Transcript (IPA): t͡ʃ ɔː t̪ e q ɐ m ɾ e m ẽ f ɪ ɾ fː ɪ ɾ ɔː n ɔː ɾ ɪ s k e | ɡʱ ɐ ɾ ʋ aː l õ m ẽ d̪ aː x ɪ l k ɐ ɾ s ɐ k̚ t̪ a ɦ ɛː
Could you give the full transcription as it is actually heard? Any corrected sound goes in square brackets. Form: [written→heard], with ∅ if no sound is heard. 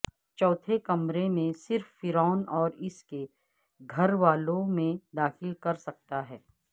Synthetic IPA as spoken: t͡ʃ ɔː [t̪→t̪ʰ] e [q→k] ɐ m ɾ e m ẽ [f→s] ɪ ɾ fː ɪ ɾ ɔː n ɔː ɾ ɪ s k e | ɡʱ ɐ ɾ ʋ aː l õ m ẽ d̪ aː x ɪ l k ɐ ɾ s ɐ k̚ t̪ a ɦ ɛː